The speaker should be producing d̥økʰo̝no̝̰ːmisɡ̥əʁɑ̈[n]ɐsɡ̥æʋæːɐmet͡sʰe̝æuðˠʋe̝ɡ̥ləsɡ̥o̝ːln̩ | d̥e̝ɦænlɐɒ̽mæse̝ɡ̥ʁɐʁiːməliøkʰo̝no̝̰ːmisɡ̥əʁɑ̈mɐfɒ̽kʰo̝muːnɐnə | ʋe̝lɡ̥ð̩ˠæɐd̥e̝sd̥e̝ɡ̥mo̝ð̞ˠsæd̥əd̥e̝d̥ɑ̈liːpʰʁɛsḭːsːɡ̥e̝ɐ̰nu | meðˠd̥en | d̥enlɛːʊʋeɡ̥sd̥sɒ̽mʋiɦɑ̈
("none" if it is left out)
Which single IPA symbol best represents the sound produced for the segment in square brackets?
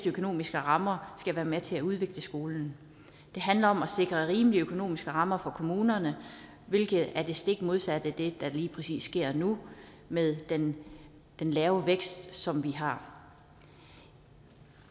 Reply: m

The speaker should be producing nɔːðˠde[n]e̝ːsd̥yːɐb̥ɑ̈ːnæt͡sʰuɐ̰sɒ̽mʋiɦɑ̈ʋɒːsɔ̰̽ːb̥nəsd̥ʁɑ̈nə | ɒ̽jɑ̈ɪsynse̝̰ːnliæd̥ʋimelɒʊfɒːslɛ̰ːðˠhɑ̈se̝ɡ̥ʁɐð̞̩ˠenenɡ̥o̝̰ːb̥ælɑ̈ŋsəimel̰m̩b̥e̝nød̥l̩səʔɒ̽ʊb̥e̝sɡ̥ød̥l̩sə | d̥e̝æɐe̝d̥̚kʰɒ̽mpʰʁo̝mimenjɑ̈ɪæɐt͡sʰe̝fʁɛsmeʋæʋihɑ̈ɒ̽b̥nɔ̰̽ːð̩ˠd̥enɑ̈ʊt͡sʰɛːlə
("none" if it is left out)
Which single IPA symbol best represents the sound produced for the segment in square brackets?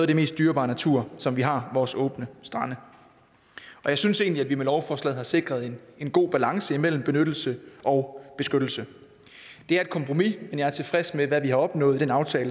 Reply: m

